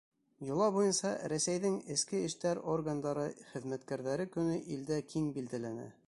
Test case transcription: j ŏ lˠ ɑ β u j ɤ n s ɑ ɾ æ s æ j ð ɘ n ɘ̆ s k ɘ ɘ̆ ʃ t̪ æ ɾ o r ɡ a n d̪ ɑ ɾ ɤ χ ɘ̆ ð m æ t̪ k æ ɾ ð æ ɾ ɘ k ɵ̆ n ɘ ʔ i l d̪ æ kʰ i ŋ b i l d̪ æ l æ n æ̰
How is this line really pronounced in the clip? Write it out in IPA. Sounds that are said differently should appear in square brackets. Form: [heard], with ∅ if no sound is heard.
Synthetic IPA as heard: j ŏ lˠ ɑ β u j ɤ n s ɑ ɾ æ s æ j ð ɘ [ŋ] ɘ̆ s k ɘ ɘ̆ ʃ t̪ æ ɾ o r ɡ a n d̪ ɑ ɾ ɤ χ ɘ̆ ð m æ t̪ k æ ɾ ð æ ɾ ɘ k ɵ̆ n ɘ ʔ i l d̪ æ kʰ i ŋ b i l d̪ æ l æ n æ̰

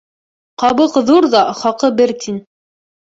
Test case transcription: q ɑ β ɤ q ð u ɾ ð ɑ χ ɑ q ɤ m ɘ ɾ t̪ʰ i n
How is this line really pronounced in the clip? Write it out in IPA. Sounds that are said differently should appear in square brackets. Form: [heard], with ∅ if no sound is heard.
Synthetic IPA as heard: q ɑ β ɤ q ð u ɾ ð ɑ χ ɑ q ɤ [b] ɘ ɾ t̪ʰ i n

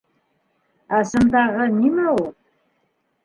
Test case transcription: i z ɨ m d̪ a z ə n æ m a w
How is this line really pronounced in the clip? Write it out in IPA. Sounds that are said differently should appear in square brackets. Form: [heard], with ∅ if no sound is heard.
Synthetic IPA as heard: [a] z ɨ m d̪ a [ʁ] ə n [i] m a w

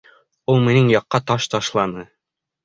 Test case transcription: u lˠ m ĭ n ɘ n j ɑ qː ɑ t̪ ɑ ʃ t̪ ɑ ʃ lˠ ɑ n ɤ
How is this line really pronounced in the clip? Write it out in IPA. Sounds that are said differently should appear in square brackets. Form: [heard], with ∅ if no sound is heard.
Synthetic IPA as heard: u lˠ m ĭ n ɘ [ŋ] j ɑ qː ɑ t̪ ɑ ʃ t̪ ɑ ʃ lˠ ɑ n ɤ

